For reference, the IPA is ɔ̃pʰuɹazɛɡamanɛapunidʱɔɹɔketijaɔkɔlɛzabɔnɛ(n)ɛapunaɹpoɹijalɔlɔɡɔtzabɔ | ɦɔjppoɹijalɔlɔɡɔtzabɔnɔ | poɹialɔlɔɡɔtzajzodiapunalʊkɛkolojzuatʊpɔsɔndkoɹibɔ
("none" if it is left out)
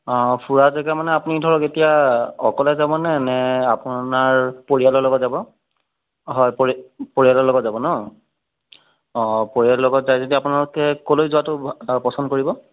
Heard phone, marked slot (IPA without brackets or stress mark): n